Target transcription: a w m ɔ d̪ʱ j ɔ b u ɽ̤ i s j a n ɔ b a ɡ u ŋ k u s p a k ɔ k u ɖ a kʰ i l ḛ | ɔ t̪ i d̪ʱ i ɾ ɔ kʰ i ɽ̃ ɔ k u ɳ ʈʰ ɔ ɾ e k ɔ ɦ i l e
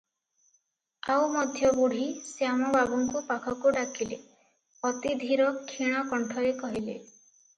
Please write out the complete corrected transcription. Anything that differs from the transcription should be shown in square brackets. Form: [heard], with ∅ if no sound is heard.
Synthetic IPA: a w m ɔ d̪ʱ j ɔ b u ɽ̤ i s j a [m] ɔ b a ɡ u ŋ k u [∅] p a [kʰ] ɔ k u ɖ a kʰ i l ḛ | ɔ t̪ i d̪ʱ i ɾ ɔ kʰ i ɽ̃ ɔ k [ɔ] ɳ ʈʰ ɔ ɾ e k ɔ ɦ i l e